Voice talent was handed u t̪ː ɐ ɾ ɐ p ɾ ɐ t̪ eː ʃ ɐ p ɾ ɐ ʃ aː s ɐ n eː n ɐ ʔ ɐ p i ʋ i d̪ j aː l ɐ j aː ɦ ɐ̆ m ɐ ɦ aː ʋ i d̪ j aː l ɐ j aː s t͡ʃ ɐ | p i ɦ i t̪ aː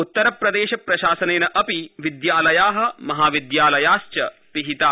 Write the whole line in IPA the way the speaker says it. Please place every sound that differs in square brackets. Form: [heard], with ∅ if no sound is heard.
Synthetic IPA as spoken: u t̪ː ɐ ɾ ɐ p ɾ ɐ [d̪] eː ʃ ɐ p ɾ ɐ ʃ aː s ɐ n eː n ɐ ʔ ɐ p i ʋ i d̪ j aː l ɐ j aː ɦ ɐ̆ m ɐ ɦ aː ʋ i d̪ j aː l ɐ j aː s t͡ʃ ɐ | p i ɦ i t̪ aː

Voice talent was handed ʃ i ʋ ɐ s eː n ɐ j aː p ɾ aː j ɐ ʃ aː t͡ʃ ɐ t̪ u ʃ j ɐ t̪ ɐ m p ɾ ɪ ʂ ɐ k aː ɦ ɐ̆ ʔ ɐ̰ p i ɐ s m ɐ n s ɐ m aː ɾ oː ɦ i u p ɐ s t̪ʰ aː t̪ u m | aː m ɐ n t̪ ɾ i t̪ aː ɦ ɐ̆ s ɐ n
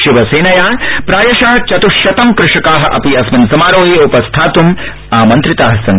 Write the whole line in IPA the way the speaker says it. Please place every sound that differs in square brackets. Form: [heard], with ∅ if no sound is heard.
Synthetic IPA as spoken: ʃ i ʋ ɐ s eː n ɐ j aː p ɾ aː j ɐ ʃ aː t͡ʃ ɐ t̪ u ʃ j ɐ t̪ ɐ m [k] ɾ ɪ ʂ ɐ k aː ɦ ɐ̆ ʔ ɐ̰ p i ɐ s m ɐ n s ɐ m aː ɾ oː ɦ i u p ɐ s t̪ʰ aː t̪ u m | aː m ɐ n t̪ ɾ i t̪ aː ɦ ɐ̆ s ɐ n

